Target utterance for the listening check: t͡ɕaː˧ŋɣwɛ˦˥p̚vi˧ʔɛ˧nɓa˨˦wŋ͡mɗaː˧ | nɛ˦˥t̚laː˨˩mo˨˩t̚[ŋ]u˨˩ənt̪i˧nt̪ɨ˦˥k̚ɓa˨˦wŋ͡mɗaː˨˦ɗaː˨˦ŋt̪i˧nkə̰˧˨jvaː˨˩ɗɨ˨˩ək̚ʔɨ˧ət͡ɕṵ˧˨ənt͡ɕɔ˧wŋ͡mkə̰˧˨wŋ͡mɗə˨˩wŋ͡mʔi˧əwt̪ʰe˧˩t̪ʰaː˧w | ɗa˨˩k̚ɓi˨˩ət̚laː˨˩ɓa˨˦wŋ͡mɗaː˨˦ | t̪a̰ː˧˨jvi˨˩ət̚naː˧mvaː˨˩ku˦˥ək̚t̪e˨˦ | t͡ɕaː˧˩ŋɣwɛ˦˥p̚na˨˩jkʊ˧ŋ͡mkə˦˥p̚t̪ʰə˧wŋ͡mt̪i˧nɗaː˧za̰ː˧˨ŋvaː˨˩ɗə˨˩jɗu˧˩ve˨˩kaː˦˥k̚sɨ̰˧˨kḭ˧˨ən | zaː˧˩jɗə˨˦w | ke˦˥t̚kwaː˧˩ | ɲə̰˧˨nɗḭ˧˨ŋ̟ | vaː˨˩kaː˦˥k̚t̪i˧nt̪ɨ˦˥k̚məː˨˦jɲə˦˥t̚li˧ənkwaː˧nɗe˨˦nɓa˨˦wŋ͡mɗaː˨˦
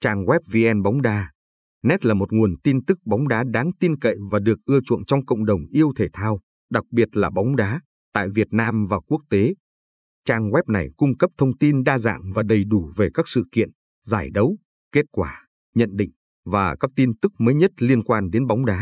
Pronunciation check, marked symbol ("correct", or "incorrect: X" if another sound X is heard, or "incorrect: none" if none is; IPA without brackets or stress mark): correct